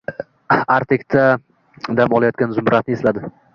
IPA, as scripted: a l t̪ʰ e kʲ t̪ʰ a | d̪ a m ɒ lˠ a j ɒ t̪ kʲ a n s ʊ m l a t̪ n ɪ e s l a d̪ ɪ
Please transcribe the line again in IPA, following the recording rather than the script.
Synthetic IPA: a ɾ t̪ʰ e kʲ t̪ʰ a | d̪ a m ɒ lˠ a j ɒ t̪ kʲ a n z ʊ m ɾ a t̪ n ɪ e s l a d̪ ɪ

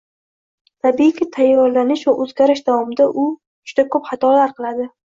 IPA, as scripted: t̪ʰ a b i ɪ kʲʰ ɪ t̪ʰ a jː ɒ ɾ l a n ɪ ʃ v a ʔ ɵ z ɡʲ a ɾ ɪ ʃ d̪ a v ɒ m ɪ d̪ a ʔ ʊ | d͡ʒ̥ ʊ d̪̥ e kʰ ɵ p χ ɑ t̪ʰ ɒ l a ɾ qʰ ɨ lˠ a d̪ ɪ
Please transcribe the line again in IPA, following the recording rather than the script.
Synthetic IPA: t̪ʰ a b i ɪ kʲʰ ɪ t̪ʰ a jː ɒ ɾ l a n ɪ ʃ v a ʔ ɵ z ɡʲ a ɾ ɪ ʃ d̪ a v ɒ m ɪ d̪ a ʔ ʊ | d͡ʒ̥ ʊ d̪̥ a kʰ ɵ p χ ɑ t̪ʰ ɒ l a ɾ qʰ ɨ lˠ a d̪ ɪ

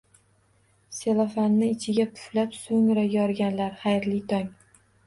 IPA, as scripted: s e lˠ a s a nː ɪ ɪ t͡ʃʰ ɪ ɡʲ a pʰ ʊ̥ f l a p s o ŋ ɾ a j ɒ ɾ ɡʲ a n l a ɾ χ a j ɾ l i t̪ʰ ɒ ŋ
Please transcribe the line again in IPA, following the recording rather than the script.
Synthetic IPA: s e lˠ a f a nː ɪ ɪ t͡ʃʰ ɪ ɡʲ a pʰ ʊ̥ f l a p s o ŋ ɾ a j ɒ ɾ ɡʲ a n l a ɾ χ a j ɾ l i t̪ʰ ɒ ŋ

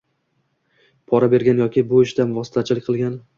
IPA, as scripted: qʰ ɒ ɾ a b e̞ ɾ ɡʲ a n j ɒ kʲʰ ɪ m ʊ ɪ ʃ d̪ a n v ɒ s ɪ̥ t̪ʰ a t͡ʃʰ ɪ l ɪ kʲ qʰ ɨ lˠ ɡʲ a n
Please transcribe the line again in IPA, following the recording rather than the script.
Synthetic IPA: pʰ ɒ ɾ a b e̞ ɾ ɡʲ a n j ɒ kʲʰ ɪ b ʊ ɪ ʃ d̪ a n v ɒ s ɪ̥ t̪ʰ a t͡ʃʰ ɪ l ɪ kʲ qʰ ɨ lˠ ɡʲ a n

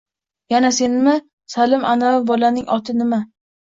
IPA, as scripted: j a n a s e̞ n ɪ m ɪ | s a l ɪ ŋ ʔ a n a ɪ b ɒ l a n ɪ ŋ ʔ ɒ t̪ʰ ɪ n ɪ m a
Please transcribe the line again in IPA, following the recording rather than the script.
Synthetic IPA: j a n a s e̞ n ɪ m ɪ | s a l ɪ m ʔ a n a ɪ b ɒ l a n ɪ ŋ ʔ ɒ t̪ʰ ɪ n ɪ m a

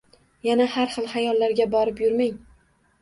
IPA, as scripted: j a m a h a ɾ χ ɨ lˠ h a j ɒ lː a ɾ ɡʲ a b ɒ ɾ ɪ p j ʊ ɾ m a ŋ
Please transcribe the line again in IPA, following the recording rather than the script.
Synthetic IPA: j a n a h a ɾ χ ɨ lˠ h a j ɒ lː a ɾ ɡʲ a b ɒ ɾ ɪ p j ʊ ɾ m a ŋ

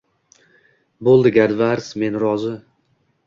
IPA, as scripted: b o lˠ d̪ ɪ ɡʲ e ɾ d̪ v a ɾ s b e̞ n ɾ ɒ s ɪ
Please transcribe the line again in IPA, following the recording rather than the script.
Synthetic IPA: b o lˠ d̪ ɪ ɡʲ a ɾ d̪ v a ɾ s m e̞ n ɾ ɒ z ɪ

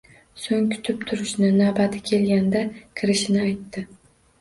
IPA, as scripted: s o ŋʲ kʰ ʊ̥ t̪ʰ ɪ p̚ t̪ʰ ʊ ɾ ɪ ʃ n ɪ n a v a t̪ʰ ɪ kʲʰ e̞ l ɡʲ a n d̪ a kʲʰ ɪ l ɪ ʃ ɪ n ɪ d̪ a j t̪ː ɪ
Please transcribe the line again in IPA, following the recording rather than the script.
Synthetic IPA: s o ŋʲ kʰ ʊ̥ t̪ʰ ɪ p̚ t̪ʰ ʊ ɾ ɪ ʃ n ɪ n a b a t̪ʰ ɪ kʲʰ e̞ l ɡʲ a n d̪ a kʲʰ ɪ ɾ ɪ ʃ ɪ n ɪ a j t̪ː ɪ

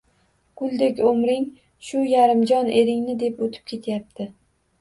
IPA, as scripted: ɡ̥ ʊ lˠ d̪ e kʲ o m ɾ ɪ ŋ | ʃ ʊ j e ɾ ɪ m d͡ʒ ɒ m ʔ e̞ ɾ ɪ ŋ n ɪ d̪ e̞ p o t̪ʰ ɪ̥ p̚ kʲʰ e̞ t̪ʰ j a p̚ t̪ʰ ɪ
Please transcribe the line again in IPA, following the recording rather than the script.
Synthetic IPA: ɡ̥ ʊ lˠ d̪ e kʲ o m ɾ ɪ ŋ | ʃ ʊ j a ɾ ɪ m d͡ʒ ɒ n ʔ e̞ ɾ ɪ ŋ n ɪ d̪ e̞ p o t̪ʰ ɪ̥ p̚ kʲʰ e̞ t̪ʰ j a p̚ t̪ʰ ɪ

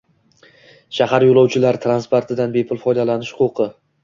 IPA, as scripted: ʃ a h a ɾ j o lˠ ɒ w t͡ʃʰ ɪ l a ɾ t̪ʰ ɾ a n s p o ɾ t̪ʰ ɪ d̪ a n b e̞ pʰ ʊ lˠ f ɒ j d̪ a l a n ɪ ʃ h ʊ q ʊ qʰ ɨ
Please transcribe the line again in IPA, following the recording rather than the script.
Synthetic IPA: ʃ a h a ɾ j o lˠ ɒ w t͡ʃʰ ɪ l a ɾ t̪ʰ ɾ a n s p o ɾ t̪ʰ ɪ d̪ a n b e̞ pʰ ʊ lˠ f ɒ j d̪ a l a n ɪ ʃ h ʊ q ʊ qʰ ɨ

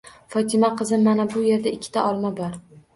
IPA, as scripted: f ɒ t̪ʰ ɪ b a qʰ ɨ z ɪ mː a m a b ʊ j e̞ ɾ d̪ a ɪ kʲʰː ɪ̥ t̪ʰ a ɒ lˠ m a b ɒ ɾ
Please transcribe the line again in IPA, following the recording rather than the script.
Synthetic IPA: f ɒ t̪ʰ ɪ m a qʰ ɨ z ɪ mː a n a b ʊ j e̞ ɾ d̪ a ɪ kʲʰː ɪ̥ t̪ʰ a ɒ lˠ m a b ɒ ɾ

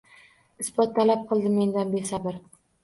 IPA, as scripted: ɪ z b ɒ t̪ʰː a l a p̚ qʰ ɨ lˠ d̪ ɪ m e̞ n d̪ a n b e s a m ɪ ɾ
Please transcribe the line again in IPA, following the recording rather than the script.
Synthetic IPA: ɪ s b ɒ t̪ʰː a l a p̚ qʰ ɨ lˠ d̪ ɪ m e̞ n d̪ a n b e s a b ɪ ɾ

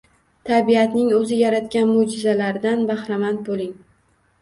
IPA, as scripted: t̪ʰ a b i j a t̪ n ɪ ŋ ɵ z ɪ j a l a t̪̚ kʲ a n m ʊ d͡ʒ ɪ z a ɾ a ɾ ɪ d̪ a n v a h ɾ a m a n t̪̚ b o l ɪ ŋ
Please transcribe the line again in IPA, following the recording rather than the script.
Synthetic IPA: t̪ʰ a b i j a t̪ n ɪ ŋ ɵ z ɪ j a ɾ a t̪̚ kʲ a n m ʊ d͡ʒ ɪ z a l a ɾ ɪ d̪ a n b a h ɾ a m a n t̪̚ b o l ɪ ŋ

